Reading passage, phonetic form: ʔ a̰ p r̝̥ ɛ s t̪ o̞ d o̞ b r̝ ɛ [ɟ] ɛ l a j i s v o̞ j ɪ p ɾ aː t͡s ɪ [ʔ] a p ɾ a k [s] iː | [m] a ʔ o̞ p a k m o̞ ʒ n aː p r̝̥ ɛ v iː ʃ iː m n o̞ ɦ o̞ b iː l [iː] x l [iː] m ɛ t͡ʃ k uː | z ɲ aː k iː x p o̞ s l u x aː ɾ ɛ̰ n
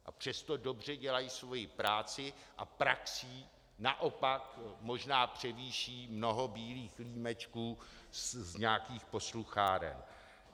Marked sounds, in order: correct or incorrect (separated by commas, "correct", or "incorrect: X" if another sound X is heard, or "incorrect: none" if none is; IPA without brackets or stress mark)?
correct, correct, correct, incorrect: n, correct, correct